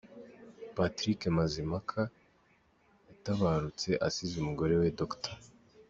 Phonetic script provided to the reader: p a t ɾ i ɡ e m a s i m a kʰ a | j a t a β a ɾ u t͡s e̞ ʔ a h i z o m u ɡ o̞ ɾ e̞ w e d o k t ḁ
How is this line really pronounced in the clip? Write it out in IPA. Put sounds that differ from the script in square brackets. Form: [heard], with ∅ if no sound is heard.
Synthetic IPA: p a t ɾ i [k] e m a [z] i m a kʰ a | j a t a β a ɾ u t͡s e̞ ʔ a [s] i z [u] m u ɡ o̞ ɾ e̞ w e d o k t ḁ